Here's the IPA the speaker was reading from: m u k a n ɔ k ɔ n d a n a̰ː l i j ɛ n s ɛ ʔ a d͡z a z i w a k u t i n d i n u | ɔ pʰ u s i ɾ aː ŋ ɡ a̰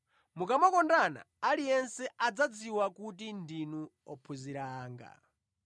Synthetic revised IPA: m u k a m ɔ k ɔ n d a n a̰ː l i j ɛ n s ɛ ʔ a d͡z a d͡z i w a k u t i n d i n u | ɔ pʰ u z i ɾ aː ŋ ɡ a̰